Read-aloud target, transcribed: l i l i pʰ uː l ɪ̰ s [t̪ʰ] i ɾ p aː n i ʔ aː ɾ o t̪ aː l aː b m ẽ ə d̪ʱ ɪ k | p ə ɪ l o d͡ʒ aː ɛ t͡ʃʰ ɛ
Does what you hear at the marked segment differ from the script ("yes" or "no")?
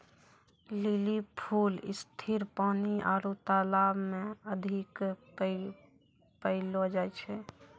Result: no